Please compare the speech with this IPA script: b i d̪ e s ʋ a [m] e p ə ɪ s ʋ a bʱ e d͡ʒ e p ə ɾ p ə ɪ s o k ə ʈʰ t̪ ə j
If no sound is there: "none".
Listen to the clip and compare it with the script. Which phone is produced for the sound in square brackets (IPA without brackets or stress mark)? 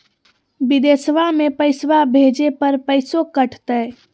m